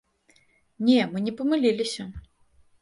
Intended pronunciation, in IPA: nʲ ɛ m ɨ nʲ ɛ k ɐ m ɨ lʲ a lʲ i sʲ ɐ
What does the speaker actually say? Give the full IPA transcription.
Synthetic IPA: nʲ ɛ m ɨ nʲ ɛ p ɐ m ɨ lʲ i lʲ i sʲ ɐ